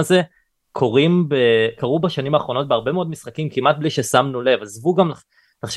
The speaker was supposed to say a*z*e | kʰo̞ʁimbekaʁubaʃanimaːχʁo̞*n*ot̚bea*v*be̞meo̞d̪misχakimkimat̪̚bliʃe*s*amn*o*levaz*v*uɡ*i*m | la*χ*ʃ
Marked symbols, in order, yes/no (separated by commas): yes, yes, no, yes, no, yes, no, yes